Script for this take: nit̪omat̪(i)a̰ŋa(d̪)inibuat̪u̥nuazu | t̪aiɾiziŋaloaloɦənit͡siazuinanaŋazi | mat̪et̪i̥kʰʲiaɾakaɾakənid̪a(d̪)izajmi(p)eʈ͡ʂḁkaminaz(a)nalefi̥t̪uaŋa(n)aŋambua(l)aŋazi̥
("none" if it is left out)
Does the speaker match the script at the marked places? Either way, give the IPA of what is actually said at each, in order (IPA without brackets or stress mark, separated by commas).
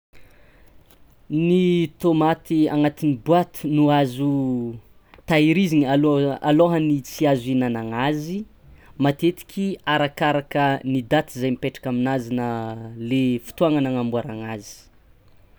i, t̪, t̪, p, i, n, ɾ